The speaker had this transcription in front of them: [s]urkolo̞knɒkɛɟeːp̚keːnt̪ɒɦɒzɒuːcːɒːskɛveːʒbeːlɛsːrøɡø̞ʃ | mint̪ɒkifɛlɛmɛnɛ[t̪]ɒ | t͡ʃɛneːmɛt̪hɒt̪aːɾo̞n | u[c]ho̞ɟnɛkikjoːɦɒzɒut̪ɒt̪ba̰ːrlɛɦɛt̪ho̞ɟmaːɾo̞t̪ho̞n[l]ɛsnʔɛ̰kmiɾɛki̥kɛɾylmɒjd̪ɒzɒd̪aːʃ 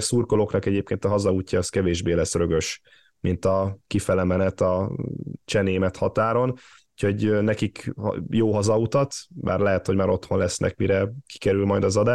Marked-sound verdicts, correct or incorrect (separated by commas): correct, correct, correct, correct